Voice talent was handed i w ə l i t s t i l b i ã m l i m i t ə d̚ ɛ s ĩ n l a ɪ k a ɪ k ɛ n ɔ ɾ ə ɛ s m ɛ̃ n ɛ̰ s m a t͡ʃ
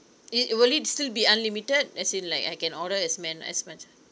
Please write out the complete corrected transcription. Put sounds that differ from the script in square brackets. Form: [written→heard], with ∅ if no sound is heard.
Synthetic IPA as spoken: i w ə l i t s t i l b i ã [m→n] l i m i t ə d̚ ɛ s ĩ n l a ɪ k a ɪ k [ɛ→ɛ̃] n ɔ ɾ ə ɛ s m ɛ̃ n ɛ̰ s m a t͡ʃ